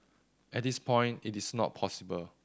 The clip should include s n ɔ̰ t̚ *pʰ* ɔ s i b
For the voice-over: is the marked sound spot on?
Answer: yes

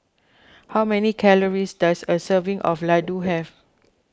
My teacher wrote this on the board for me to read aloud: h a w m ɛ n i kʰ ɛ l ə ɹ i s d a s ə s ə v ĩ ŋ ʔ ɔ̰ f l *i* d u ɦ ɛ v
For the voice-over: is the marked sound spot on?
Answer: no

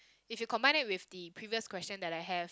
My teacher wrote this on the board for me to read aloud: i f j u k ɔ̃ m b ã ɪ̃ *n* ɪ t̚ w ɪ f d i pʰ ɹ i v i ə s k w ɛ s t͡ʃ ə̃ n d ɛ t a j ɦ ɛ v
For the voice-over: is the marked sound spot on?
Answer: yes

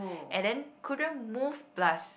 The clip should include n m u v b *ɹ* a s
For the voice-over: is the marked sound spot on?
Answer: no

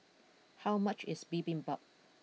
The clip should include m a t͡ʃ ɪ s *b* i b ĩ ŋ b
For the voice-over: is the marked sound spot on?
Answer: yes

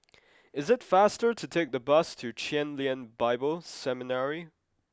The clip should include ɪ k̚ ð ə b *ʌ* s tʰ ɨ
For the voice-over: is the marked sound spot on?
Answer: yes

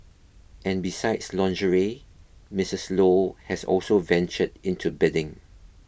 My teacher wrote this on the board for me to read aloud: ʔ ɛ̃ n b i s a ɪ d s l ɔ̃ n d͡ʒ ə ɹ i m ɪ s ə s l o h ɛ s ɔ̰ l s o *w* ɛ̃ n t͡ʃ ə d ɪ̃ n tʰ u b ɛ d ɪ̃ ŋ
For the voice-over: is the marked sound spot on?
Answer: no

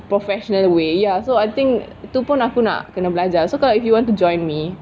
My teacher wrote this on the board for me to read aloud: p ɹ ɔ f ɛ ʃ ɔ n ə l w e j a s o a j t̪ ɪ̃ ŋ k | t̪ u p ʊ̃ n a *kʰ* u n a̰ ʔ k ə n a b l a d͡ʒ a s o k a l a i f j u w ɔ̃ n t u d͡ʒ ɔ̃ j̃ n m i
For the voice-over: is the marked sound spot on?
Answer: no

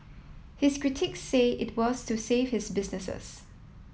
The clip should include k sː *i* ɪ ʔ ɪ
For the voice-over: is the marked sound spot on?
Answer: no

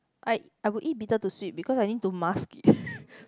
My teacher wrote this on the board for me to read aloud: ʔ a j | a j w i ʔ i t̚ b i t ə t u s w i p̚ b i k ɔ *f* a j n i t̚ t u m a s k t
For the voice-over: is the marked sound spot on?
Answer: no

